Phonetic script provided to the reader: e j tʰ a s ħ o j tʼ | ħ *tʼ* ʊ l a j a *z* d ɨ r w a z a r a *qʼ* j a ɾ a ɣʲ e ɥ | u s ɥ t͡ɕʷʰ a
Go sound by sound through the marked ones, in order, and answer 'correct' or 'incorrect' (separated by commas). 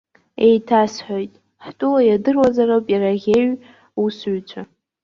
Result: correct, incorrect, incorrect